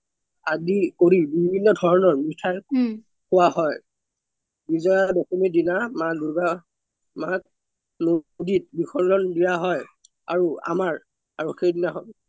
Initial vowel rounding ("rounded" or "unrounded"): unrounded